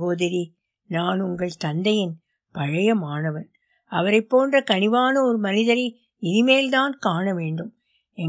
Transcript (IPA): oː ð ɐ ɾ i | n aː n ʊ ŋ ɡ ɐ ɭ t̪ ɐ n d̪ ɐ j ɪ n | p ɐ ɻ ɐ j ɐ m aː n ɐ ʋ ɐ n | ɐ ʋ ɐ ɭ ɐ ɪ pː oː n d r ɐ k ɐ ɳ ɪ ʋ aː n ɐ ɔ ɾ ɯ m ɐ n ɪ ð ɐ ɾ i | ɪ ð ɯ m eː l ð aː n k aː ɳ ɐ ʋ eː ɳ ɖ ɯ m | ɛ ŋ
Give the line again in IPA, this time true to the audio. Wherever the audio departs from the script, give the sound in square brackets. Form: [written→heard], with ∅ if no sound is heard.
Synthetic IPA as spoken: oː ð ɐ ɾ i | n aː n ʊ ŋ ɡ ɐ ɭ t̪ ɐ n d̪ ɐ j ɪ n | p ɐ ɻ ɐ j ɐ m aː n ɐ ʋ ɐ n | ɐ ʋ ɐ [ɭ→ɾ] ɐ ɪ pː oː n d r ɐ k ɐ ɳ ɪ ʋ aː n ɐ ɔ ɾ ɯ m ɐ n ɪ ð ɐ ɾ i | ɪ ð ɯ m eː l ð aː n k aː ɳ ɐ ʋ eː ɳ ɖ ɯ m | ɛ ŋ